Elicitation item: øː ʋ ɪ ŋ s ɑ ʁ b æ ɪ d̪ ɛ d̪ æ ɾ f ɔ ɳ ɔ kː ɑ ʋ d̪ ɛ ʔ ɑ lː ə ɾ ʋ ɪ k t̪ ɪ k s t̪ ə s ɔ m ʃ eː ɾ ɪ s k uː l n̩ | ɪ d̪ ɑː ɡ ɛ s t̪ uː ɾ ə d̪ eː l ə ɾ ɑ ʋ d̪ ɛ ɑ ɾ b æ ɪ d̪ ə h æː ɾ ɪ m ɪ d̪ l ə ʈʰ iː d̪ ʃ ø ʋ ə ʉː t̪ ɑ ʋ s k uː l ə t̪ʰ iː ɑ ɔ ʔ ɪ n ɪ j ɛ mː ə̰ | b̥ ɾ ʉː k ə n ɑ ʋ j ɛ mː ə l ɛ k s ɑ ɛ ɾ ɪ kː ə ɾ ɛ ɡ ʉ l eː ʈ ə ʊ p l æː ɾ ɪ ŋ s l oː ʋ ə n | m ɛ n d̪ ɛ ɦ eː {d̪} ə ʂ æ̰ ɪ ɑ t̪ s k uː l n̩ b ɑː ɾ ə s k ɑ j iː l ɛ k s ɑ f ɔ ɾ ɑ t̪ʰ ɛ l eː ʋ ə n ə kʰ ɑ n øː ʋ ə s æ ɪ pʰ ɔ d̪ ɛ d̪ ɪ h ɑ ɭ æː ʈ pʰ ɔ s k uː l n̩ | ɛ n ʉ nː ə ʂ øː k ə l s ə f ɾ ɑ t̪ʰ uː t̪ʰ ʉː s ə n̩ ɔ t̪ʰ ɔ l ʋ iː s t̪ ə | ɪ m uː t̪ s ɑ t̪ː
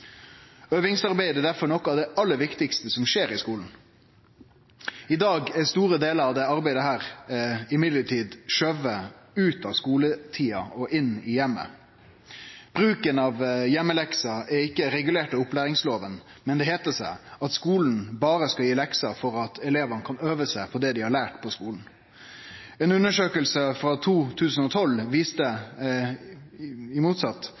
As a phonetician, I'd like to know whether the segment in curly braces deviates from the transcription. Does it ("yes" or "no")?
yes